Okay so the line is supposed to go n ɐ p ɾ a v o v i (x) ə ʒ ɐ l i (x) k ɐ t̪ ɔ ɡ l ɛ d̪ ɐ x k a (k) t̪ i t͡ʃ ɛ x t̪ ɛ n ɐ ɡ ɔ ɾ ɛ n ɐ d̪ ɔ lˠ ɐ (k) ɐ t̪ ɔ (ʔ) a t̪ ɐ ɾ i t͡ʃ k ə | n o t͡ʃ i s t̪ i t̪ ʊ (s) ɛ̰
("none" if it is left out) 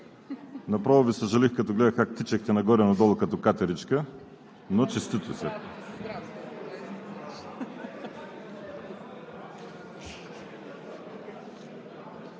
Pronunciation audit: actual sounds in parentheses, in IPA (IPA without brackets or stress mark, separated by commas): s, x, k, k, k, s